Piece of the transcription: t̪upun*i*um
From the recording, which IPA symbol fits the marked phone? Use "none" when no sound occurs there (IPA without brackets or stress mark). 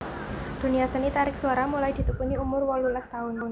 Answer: i